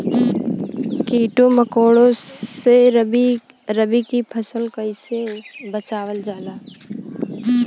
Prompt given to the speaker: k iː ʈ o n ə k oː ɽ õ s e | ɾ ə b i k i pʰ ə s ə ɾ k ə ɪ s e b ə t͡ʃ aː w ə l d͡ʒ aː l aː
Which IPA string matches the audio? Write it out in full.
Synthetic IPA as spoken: k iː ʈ o m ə k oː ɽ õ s e | ɾ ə b i k i pʰ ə s ə l k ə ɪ s e b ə t͡ʃ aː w ə l d͡ʒ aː l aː